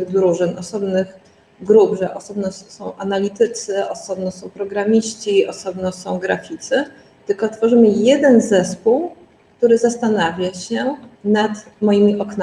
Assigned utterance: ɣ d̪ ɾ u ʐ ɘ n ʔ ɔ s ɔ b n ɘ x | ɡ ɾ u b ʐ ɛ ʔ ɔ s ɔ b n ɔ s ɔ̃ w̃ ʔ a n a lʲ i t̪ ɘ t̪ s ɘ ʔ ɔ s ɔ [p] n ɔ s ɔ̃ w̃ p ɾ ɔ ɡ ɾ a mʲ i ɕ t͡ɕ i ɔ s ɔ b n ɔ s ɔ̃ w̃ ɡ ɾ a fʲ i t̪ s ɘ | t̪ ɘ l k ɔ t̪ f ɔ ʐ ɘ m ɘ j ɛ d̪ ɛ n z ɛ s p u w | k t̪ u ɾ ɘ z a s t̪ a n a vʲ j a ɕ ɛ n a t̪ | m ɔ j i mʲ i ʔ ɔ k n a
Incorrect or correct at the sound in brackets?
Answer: incorrect: b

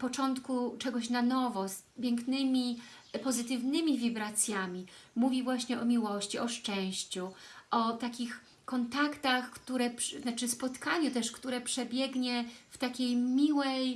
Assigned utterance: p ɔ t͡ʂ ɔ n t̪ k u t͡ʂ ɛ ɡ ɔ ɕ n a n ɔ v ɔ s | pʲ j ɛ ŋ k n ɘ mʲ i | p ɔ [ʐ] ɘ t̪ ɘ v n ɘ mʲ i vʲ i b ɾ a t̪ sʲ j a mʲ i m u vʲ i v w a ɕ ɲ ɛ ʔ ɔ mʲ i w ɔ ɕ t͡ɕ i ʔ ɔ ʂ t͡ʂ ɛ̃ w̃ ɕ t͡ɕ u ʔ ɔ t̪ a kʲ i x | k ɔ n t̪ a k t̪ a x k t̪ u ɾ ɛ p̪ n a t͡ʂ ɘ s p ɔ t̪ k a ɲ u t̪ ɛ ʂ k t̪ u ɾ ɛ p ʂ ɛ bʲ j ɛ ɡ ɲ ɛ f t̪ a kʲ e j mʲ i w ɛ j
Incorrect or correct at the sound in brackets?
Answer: incorrect: z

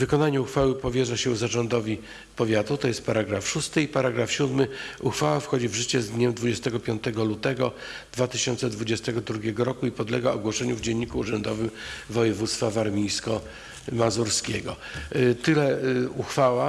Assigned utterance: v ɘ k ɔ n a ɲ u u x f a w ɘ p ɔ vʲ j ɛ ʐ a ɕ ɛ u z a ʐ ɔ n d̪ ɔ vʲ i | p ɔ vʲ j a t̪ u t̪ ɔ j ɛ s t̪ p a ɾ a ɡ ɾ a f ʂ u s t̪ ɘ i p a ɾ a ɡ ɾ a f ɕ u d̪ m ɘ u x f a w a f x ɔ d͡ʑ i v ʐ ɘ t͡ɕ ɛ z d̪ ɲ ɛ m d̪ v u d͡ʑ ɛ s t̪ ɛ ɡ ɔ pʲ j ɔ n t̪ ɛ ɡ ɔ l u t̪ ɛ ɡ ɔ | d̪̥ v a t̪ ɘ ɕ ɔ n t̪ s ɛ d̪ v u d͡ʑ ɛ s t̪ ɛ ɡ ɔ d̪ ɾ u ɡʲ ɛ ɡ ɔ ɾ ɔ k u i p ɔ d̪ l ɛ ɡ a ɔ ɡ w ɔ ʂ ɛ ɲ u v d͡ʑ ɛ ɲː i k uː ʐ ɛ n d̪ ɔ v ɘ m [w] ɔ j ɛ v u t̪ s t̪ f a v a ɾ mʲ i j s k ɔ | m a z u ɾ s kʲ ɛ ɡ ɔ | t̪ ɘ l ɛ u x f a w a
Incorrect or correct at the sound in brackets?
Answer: incorrect: v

